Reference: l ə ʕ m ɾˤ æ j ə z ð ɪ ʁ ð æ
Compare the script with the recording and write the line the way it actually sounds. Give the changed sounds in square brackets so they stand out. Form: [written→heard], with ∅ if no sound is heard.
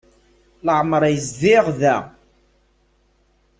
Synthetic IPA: l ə ʕ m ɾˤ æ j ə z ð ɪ ʁ ð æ